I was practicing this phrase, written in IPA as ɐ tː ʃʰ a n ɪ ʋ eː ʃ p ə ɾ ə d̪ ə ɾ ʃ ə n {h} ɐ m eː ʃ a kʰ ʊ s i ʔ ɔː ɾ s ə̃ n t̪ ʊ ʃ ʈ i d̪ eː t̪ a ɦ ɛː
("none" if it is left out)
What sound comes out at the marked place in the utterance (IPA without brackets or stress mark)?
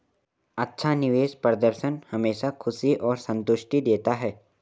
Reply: h